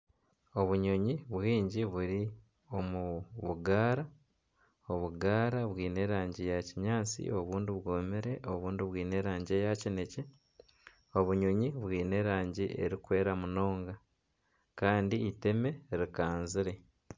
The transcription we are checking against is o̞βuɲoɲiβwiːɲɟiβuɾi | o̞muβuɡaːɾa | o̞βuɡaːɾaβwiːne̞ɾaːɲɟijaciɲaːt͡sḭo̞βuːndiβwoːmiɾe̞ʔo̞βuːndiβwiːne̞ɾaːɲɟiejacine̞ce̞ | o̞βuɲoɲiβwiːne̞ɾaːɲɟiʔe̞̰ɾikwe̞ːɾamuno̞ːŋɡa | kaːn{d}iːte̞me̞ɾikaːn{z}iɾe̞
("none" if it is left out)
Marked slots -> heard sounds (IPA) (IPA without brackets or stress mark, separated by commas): d, z